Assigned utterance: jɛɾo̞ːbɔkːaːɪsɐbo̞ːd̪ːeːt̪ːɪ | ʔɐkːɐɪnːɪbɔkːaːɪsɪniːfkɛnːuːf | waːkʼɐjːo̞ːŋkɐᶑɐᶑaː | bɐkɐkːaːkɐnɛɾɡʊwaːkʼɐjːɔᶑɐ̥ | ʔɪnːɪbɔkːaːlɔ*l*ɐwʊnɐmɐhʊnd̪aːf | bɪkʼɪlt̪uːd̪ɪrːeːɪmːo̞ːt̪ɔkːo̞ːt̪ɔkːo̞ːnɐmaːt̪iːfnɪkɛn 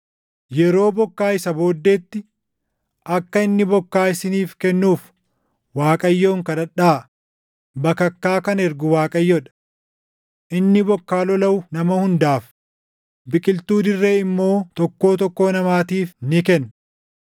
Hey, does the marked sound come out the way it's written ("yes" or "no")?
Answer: yes